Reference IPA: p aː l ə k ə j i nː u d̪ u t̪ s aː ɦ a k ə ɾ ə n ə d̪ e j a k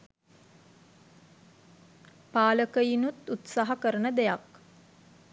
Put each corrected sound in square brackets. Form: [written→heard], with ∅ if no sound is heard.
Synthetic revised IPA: p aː l ə k ə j i [nː→n] u [d̪→t̪] u t̪ s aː ɦ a k ə ɾ ə n ə d̪ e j a k